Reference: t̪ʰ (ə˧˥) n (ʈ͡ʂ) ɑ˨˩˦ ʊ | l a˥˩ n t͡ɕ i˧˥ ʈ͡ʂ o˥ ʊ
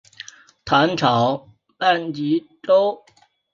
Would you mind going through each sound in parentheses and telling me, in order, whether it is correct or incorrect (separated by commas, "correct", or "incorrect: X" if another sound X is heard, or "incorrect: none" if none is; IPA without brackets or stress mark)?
incorrect: a˧˥, incorrect: ʈ͡ʂʰ